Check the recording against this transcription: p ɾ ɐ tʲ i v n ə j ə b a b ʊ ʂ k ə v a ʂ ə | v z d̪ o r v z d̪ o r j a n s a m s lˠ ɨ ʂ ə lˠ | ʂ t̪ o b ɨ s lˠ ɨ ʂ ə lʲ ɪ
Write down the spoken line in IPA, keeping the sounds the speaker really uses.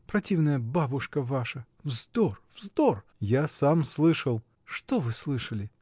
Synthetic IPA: p ɾ ɐ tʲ i v n ə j ə b a b ʊ ʂ k ə v a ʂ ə | v z d̪ o r v z d̪ o r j a s a m s lˠ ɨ ʂ ə lˠ | ʂ t̪ o v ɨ s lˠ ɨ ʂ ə lʲ ɪ